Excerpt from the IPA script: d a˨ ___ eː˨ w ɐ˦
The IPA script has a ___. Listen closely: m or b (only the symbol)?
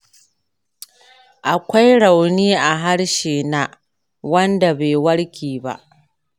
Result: b